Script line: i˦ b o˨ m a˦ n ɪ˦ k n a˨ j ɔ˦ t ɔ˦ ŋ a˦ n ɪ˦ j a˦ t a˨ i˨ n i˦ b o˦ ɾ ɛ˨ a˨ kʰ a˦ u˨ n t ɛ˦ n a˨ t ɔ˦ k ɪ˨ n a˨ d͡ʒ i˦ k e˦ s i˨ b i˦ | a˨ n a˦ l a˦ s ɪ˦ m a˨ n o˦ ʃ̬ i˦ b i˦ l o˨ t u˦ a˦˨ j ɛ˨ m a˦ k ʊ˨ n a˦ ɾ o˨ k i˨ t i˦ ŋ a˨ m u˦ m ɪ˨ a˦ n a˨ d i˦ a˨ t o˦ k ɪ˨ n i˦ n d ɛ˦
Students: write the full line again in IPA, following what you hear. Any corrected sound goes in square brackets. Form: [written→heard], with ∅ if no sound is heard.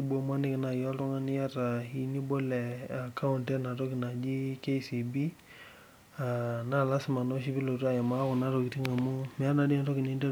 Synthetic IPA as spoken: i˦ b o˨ m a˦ n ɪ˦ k n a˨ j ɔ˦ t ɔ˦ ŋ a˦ n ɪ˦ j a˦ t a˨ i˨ n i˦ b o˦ [ɾ→l] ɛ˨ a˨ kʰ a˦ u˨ n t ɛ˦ n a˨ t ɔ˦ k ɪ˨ n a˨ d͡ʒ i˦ k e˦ s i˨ b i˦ | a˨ n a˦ l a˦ s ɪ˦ m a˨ n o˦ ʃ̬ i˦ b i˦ l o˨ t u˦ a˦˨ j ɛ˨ m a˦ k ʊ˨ n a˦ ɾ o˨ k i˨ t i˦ ŋ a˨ m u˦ m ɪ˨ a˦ n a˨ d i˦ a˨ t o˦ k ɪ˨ n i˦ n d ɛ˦